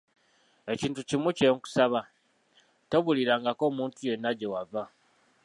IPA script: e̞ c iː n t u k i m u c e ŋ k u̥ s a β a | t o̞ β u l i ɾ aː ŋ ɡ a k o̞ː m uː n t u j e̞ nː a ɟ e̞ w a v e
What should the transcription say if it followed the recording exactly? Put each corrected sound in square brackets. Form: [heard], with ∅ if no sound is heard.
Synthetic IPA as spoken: e̞ c iː n t u [c] i m u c e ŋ k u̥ s a β a | t o̞ β u l i ɾ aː ŋ ɡ a k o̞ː m uː n t u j e̞ nː a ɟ e̞ w a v [a]